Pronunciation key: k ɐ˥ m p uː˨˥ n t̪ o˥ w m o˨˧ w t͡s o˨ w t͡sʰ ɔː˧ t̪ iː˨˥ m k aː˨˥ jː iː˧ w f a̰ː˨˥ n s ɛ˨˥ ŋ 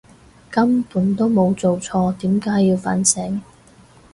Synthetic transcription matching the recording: k ɐ˥ m p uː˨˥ n t̪ o˥ w m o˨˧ w t͡s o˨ w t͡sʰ ɔː˧ t̪ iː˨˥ m k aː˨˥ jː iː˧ w f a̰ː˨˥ n s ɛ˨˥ ŋ